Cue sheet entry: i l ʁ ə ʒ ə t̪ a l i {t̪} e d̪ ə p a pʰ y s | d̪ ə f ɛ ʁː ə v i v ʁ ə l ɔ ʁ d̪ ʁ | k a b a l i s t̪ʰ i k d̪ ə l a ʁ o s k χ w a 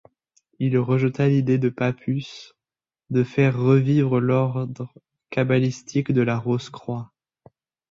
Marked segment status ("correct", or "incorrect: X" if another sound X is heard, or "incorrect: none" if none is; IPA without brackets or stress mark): incorrect: d̪